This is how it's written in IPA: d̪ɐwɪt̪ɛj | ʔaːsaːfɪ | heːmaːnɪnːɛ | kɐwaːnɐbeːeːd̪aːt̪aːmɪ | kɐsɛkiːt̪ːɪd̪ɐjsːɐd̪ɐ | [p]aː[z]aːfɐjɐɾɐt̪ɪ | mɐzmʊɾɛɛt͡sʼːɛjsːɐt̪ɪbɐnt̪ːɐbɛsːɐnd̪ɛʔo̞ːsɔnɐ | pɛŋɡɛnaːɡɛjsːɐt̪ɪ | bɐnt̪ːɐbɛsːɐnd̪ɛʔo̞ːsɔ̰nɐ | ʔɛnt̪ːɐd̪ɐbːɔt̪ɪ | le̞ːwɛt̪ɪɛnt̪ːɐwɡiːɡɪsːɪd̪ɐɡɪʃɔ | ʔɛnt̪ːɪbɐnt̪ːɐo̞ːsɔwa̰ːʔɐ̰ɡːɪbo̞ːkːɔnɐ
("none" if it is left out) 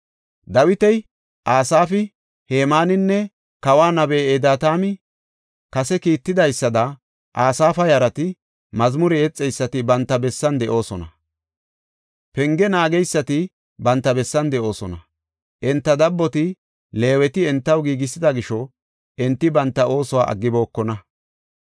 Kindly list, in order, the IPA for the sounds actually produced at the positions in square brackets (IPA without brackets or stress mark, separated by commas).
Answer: ʔ, s